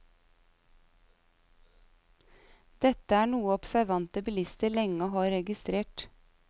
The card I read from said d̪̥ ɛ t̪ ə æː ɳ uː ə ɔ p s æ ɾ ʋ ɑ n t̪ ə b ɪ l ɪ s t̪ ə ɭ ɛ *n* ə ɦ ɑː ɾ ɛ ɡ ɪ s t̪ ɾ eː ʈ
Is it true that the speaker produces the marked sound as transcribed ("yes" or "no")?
no